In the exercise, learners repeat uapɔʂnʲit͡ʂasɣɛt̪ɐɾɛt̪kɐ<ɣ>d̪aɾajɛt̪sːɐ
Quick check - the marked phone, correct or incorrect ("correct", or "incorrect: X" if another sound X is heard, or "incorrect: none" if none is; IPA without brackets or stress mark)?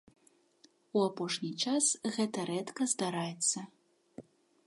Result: incorrect: z